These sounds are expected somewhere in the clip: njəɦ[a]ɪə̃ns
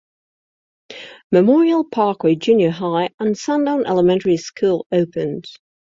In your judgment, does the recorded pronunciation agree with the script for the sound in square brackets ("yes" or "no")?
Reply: yes